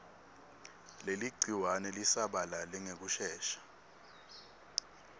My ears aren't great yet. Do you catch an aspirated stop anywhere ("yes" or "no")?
no